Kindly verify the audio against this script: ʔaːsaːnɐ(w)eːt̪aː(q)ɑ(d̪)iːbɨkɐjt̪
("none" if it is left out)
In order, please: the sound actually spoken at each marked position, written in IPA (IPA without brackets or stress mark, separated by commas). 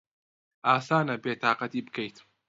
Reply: b, q, t̪